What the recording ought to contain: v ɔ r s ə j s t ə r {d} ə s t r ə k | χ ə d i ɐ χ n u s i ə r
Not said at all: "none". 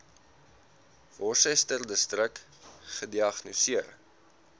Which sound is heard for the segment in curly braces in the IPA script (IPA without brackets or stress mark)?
d